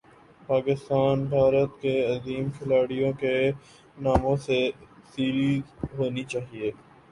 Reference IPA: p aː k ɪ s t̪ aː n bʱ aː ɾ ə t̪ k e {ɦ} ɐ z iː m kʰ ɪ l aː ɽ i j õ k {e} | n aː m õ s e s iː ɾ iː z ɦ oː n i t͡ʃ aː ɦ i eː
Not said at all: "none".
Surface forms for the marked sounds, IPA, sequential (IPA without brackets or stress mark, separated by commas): none, e